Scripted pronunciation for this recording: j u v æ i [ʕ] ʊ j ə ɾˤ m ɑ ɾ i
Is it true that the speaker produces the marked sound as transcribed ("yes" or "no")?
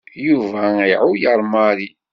yes